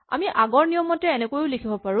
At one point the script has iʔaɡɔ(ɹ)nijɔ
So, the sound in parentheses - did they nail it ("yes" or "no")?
yes